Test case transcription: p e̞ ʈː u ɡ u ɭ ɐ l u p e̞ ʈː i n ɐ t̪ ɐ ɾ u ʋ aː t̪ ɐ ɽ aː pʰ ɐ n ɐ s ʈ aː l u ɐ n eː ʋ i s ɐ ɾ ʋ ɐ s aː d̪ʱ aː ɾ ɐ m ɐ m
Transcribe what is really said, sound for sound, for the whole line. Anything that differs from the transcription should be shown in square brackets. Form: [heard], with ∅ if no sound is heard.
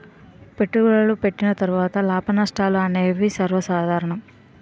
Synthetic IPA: p e̞ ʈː u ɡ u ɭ ɐ l u p e̞ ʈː i n ɐ t̪ ɐ ɾ u ʋ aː t̪ ɐ [l] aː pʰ ɐ n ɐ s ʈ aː l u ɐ n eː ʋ i s ɐ ɾ ʋ ɐ s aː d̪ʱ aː ɾ ɐ [ɳ] ɐ m

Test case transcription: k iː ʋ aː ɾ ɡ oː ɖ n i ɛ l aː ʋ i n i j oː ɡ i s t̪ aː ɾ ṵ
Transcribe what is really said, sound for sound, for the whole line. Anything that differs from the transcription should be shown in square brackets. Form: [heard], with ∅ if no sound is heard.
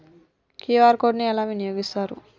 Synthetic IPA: k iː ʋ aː ɾ [k] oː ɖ n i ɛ l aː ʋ i n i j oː ɡ i s t̪ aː ɾ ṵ

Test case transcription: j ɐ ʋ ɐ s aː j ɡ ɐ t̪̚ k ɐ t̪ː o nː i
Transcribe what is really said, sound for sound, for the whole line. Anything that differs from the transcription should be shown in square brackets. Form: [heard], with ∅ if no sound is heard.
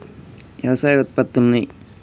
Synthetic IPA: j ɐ ʋ ɐ s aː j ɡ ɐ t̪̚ [p] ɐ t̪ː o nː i

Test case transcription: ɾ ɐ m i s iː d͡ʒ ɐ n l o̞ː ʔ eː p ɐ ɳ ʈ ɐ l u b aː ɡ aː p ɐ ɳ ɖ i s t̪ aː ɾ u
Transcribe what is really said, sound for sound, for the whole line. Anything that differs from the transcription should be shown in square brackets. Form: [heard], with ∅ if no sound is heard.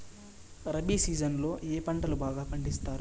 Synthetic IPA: ɾ ɐ [b] i s iː d͡ʒ ɐ n l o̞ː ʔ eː p ɐ ɳ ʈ ɐ l u b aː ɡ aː p ɐ ɳ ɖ i s t̪ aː ɾ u

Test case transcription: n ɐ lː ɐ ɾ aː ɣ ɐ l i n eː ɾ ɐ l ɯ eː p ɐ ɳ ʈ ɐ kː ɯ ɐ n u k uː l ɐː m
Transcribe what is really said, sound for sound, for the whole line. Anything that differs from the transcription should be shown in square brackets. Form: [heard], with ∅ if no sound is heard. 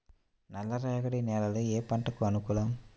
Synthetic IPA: n ɐ lː ɐ ɾ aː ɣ ɐ [ɽ] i n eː [l] ɐ l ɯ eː p ɐ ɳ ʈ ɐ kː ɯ ɐ n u k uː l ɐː m

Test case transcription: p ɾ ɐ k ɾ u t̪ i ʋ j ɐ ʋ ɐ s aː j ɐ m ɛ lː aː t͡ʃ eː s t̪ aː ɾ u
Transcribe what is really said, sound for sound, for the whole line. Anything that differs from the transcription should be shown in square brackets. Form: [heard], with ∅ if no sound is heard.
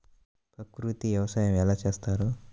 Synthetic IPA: p ɾ ɐ k ɾ u t̪ i ʋ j ɐ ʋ ɐ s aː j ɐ m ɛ [l] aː t͡ʃ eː s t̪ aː ɾ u

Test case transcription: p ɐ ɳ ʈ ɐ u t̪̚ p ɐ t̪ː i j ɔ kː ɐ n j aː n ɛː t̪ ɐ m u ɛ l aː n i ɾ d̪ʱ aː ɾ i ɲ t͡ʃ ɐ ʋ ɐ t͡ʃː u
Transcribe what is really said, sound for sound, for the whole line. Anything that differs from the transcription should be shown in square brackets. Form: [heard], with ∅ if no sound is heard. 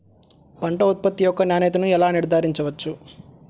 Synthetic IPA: p ɐ ɳ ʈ ɐ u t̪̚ p ɐ t̪ː i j ɔ kː ɐ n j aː n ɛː t̪ ɐ [n] u ɛ l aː n i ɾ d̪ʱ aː ɾ i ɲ t͡ʃ ɐ ʋ ɐ t͡ʃː u

